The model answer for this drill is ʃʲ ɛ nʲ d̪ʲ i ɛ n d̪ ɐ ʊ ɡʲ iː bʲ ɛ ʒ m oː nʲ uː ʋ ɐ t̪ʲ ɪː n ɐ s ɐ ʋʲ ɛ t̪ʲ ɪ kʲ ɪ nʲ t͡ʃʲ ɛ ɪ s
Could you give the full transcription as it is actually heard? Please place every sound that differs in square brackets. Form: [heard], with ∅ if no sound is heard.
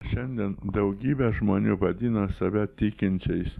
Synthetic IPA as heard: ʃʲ ɛ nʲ d̪ʲ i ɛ n d̪ ɐ ʊ ɡʲ iː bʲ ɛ ʒ m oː nʲ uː ʋ ɐ [d̪ʲ] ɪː n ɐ s ɐ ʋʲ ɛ t̪ʲ ɪ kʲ ɪ nʲ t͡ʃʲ ɛ ɪ s